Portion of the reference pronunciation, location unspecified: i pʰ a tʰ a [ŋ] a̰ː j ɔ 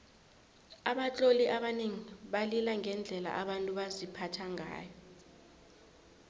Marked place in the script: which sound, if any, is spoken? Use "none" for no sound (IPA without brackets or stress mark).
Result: ŋ